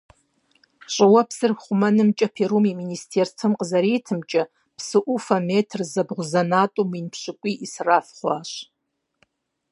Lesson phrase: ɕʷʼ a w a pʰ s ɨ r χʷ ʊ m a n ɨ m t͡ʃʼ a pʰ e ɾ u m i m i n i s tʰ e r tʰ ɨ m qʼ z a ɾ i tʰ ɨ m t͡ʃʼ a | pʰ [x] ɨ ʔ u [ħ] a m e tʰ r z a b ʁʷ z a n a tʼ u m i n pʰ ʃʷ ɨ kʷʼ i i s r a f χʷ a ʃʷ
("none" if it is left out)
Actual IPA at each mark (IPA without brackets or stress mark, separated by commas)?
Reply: s, f